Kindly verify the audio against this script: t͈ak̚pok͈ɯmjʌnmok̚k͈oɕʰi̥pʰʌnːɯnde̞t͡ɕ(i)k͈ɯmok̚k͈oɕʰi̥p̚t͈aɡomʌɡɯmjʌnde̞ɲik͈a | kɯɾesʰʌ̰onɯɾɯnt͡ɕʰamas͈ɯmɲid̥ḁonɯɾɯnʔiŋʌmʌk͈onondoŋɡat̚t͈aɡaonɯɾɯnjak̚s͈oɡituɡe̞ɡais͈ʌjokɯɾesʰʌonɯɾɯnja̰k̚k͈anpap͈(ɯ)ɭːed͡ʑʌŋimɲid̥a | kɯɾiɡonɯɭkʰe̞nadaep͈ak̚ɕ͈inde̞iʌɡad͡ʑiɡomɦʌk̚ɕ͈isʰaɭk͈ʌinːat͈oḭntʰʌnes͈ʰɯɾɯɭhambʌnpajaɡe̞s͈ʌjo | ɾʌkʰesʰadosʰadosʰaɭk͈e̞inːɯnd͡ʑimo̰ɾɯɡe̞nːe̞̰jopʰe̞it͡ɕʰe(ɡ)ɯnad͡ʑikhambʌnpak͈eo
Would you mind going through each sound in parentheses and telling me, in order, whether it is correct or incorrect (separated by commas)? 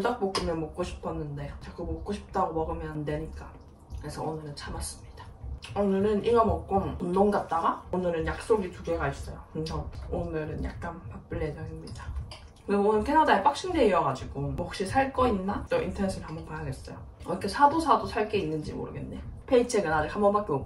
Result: incorrect, correct, correct